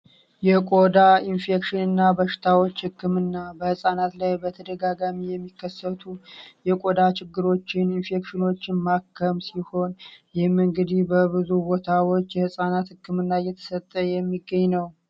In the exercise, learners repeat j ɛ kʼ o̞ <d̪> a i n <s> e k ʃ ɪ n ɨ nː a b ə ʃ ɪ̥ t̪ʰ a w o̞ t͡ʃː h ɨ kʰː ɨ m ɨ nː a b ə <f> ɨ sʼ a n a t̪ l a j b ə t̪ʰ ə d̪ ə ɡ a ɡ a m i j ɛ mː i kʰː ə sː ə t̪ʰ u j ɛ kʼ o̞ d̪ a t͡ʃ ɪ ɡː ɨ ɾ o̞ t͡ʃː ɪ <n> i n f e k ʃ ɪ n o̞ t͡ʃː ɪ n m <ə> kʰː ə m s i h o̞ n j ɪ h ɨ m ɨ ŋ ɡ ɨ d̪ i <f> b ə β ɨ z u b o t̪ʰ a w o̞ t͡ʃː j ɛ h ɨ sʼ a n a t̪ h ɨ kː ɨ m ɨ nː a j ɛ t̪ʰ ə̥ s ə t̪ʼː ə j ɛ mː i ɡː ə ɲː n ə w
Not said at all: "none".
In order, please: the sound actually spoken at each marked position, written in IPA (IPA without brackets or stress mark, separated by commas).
d̪, f, h, n, a, h